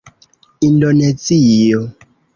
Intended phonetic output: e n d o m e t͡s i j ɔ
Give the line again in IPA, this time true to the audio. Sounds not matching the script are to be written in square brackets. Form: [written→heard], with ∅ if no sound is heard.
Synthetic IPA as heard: [e→i] n d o [m→n] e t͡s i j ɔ